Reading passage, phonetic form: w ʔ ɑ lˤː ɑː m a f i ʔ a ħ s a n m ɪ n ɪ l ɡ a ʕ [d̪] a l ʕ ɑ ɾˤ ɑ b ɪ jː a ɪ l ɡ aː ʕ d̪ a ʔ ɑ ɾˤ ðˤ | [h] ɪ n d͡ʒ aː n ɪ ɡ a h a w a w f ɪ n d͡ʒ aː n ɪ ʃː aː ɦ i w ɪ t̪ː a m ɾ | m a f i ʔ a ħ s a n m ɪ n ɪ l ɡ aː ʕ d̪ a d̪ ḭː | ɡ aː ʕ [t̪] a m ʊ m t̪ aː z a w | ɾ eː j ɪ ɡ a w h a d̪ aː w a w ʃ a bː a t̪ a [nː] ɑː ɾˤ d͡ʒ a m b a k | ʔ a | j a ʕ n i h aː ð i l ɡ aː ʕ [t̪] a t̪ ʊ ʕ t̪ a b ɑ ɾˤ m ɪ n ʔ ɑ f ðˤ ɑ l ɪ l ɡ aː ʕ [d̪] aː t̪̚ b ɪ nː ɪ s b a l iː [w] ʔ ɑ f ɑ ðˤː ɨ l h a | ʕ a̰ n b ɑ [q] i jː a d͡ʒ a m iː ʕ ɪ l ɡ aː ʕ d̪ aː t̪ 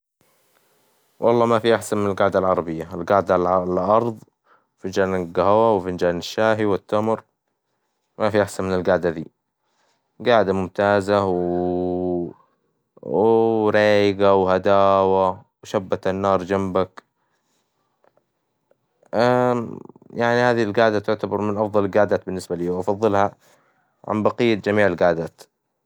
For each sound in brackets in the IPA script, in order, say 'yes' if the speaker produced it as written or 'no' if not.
yes, no, no, yes, no, yes, yes, yes

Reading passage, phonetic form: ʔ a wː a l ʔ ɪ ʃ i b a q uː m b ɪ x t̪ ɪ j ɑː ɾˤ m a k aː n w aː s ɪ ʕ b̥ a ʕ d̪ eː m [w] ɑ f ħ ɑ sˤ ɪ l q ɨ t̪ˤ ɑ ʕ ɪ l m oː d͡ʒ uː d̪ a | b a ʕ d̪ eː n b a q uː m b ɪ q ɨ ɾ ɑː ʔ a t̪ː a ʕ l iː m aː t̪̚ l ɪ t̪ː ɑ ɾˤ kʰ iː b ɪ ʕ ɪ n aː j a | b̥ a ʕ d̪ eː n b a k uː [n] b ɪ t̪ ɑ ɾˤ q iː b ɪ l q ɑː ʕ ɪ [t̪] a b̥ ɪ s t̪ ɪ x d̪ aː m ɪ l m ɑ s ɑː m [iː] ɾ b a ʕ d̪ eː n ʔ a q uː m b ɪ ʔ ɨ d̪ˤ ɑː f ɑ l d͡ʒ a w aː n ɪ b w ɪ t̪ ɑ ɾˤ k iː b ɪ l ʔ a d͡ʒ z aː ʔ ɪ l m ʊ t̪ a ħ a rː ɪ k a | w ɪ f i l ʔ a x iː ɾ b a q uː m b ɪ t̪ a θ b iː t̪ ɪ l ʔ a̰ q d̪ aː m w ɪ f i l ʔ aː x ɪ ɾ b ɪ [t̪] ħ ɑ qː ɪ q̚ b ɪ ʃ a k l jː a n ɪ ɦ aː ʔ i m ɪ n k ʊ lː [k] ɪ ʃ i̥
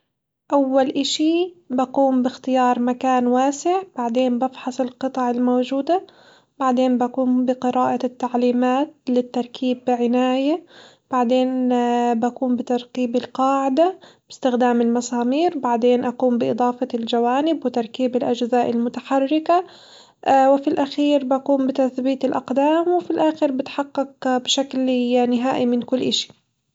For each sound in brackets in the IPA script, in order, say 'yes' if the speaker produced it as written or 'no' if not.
no, no, no, yes, yes, no

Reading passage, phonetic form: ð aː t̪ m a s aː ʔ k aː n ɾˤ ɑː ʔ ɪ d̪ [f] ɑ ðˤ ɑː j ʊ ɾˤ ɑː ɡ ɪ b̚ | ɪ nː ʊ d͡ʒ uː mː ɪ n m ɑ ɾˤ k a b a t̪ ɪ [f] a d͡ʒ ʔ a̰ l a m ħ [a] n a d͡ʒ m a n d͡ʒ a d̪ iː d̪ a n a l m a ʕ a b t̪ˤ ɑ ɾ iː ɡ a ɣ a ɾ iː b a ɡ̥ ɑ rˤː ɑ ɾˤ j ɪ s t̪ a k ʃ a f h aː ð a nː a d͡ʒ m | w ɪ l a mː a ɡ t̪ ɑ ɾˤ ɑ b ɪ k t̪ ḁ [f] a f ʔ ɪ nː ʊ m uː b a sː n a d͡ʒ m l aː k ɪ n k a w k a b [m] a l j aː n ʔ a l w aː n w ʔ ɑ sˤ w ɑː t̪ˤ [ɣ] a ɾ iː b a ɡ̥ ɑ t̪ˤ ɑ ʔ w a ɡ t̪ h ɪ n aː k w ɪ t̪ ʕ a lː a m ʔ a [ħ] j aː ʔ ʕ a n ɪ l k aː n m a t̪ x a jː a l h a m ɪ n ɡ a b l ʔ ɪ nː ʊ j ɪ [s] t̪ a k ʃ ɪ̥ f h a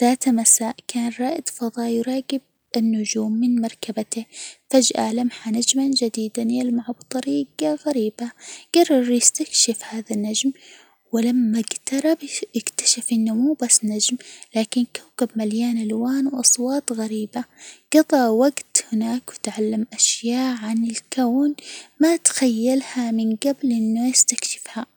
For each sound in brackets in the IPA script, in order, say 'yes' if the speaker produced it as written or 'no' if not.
yes, yes, yes, no, yes, yes, no, yes

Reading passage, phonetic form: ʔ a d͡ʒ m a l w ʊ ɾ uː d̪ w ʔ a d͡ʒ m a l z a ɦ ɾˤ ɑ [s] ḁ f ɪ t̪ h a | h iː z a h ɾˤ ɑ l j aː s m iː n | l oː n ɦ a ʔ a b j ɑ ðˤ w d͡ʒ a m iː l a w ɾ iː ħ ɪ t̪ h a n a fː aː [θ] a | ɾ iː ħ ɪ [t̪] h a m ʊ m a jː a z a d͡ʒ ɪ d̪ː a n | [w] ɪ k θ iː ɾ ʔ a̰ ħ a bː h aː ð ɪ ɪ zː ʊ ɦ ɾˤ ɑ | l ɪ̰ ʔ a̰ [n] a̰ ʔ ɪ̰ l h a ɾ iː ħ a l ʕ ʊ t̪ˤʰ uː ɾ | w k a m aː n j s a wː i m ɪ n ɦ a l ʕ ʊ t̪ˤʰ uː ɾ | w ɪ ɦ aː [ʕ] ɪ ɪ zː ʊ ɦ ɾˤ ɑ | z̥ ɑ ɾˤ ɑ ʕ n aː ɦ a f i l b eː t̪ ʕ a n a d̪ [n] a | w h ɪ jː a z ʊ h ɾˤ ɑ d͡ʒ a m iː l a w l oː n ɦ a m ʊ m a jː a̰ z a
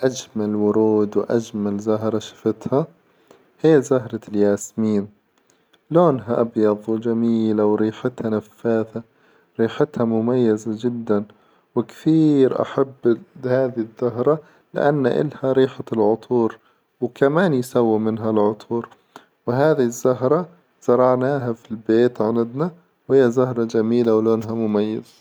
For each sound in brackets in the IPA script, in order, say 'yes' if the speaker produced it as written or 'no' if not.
no, yes, yes, yes, no, no, yes

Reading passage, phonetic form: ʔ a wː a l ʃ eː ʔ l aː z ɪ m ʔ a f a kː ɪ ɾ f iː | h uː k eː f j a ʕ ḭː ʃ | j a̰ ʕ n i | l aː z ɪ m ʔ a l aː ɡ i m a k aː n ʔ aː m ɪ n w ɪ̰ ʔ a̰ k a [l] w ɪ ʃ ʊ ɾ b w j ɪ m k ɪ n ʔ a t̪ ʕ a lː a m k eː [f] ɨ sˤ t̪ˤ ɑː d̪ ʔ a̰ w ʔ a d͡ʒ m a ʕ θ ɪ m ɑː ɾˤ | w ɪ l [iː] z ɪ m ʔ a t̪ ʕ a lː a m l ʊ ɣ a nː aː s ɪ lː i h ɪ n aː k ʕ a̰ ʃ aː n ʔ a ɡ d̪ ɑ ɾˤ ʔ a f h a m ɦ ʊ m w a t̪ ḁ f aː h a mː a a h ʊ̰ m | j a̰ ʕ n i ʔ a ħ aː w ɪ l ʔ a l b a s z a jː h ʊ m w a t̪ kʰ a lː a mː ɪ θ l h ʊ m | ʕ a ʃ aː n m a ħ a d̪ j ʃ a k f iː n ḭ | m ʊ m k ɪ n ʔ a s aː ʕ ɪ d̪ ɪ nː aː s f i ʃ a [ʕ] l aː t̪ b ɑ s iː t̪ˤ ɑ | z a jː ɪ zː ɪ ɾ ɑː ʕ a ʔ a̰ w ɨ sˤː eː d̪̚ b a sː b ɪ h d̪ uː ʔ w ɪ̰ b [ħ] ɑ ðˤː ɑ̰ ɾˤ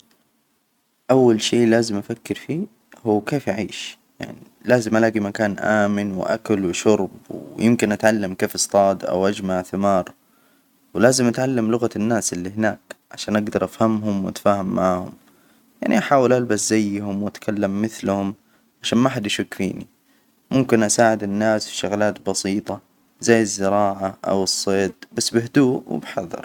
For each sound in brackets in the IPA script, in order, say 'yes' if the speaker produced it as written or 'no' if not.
yes, yes, no, no, yes

